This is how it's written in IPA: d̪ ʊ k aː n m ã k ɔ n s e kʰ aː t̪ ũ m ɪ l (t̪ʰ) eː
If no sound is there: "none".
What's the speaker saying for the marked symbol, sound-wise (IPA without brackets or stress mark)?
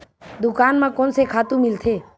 t̪ʰ